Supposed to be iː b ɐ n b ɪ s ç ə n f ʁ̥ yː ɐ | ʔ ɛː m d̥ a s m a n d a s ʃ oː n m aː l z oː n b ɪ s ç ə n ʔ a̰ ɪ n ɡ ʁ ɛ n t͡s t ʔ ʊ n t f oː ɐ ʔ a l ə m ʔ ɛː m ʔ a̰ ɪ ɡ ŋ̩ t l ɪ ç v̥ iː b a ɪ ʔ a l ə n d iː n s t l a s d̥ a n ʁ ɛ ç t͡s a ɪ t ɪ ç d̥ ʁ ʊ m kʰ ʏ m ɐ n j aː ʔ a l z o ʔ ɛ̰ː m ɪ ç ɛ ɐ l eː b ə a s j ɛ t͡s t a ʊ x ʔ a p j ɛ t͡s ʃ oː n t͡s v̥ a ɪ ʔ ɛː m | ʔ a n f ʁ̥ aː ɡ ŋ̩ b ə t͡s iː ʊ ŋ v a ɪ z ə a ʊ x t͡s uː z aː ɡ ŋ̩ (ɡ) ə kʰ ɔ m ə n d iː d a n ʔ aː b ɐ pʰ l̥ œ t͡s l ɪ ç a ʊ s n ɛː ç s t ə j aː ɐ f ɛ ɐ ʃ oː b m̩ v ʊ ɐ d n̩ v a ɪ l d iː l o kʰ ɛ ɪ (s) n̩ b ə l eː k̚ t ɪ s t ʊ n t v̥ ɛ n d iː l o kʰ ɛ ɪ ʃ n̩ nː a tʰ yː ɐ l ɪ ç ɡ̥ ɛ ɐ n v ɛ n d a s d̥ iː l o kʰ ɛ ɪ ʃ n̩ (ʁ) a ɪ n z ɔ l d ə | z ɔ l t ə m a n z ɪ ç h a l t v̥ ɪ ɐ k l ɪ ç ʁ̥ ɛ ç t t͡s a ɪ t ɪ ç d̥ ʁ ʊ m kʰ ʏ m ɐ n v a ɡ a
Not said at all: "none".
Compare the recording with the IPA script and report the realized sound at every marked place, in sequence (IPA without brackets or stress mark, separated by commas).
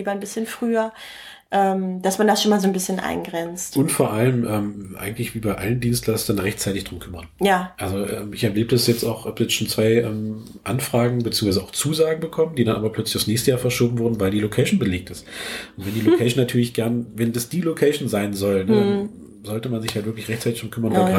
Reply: b, ʃ, z